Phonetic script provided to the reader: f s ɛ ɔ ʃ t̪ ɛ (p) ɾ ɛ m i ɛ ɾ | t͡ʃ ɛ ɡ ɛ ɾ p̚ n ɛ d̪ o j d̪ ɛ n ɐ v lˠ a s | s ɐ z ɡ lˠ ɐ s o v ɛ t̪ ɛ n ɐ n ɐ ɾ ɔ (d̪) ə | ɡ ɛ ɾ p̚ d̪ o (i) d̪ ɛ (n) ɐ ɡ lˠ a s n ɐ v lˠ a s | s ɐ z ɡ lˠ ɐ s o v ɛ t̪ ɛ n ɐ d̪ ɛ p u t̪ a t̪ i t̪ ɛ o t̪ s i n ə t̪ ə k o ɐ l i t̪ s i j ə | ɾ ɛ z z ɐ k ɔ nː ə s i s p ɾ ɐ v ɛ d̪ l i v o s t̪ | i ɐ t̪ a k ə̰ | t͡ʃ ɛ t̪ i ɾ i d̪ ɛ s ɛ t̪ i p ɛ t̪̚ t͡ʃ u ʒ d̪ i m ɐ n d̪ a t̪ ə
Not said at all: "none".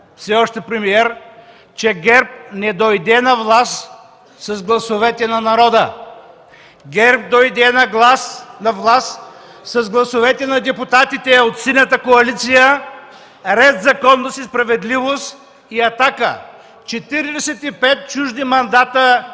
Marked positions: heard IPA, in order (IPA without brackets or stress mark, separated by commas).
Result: p, d̪, j, n